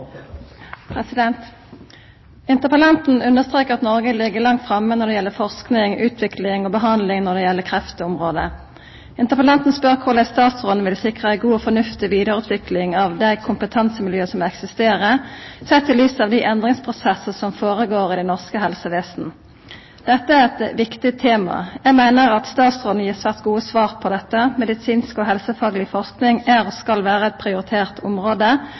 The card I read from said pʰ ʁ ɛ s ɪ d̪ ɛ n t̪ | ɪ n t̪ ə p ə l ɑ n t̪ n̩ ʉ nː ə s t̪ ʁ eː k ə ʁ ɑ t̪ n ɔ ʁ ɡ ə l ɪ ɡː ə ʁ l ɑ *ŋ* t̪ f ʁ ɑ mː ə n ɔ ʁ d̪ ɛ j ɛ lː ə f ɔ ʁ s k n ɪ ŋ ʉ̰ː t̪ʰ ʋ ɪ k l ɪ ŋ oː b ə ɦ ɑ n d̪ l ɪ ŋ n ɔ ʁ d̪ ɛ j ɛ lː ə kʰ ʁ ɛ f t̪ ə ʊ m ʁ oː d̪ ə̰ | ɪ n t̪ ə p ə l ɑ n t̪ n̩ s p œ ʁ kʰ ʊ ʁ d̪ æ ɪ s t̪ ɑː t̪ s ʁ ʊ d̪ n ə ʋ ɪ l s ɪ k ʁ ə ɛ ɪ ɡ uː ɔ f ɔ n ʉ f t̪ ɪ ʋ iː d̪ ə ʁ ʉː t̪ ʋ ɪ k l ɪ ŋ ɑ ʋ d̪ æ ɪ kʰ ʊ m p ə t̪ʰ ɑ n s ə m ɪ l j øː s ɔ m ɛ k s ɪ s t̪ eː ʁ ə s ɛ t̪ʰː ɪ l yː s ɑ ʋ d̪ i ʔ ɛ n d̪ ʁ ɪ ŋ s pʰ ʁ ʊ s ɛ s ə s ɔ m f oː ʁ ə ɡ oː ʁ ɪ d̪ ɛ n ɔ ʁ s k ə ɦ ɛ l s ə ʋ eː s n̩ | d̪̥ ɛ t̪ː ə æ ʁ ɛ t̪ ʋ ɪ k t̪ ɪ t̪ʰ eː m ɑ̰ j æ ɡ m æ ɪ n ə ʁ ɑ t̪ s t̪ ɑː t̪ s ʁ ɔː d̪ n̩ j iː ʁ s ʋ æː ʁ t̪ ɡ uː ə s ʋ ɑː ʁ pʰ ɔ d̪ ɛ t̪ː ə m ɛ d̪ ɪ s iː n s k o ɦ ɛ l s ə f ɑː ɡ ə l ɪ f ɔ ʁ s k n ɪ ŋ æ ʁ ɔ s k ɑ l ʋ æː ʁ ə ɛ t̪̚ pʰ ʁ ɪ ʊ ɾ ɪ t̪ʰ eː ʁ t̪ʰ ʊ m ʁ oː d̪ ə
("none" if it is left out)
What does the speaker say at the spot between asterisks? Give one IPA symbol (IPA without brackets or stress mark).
ŋ